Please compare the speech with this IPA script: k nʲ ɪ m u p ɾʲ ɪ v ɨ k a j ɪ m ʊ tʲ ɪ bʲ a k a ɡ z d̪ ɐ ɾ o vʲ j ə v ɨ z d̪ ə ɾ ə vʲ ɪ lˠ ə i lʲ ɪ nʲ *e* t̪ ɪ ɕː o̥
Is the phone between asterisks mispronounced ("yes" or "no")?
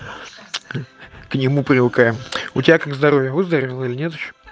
no